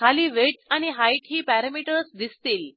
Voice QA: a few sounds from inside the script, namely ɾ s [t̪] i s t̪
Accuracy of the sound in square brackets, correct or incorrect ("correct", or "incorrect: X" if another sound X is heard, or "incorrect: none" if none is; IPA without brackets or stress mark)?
incorrect: d̪